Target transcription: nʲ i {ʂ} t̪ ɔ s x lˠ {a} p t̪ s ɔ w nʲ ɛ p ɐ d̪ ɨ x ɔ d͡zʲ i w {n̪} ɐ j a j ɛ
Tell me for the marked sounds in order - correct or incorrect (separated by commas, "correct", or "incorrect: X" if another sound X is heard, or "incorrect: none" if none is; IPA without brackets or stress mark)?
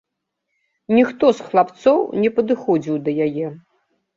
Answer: incorrect: x, correct, incorrect: d̪